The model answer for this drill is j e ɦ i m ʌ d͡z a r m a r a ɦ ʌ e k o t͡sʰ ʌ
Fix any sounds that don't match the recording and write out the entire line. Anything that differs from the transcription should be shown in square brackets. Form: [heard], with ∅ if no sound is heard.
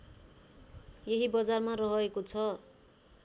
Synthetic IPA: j e ɦ i [b] ʌ d͡z a r m a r [ʌ] ɦ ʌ e k o t͡sʰ ʌ